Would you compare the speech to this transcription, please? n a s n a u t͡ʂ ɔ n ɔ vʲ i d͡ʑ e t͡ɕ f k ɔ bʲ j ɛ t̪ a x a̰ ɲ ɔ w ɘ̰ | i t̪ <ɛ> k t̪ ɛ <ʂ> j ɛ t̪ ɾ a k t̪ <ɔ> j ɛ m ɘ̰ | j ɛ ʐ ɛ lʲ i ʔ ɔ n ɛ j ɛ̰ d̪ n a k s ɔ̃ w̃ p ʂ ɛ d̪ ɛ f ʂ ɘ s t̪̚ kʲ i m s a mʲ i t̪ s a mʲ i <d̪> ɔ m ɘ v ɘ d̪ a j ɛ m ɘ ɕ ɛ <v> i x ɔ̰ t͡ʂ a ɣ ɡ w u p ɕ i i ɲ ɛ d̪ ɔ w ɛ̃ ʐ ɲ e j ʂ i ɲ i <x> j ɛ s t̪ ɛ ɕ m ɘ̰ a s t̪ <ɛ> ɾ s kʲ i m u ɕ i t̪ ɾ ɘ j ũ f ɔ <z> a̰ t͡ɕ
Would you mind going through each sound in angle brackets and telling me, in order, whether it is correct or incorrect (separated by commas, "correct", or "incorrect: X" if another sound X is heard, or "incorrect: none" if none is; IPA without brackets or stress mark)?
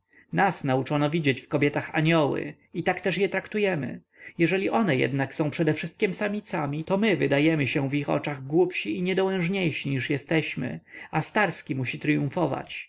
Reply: incorrect: a, correct, incorrect: u, incorrect: t̪, correct, incorrect: ʂ, incorrect: a, incorrect: v